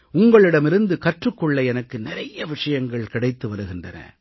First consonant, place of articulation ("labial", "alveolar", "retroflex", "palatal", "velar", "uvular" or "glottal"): velar